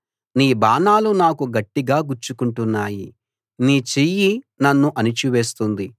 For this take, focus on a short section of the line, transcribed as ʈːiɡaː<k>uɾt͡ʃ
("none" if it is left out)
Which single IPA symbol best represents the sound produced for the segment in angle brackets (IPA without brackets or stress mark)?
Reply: ɡ